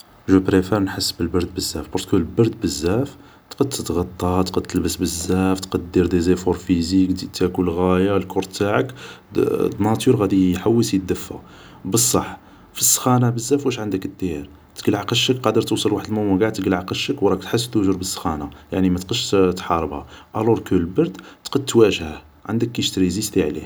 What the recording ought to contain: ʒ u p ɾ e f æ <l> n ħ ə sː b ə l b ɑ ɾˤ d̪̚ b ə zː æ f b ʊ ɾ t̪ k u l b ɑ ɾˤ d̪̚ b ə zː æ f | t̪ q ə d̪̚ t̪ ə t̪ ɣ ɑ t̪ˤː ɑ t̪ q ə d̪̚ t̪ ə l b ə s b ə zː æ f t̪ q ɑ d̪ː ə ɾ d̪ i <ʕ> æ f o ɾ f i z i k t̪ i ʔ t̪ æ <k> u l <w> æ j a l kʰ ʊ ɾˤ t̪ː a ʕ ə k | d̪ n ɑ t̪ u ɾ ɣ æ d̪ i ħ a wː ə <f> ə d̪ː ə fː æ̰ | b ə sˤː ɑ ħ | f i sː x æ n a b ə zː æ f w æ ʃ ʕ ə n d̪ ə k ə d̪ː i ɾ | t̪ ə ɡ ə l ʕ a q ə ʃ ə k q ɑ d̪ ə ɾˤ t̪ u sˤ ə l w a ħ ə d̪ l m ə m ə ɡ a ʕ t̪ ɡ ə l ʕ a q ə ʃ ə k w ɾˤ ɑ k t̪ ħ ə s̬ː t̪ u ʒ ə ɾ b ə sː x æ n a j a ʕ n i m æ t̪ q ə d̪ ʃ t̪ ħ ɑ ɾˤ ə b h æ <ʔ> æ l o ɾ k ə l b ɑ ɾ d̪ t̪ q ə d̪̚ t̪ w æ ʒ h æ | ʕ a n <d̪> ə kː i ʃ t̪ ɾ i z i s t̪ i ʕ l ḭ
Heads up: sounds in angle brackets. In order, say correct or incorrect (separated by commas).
incorrect, incorrect, correct, incorrect, incorrect, correct, correct